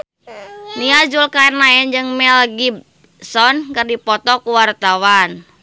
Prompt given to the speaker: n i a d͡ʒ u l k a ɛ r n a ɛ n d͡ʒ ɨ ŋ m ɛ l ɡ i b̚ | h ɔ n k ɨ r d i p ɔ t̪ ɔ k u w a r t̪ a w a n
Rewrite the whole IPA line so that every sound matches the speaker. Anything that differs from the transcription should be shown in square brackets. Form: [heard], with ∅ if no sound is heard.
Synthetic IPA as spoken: n i a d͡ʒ u l k a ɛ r n a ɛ n d͡ʒ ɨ ŋ m ɛ l ɡ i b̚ | [s] ɔ n k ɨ r d i p ɔ t̪ ɔ k u w a r t̪ a w a n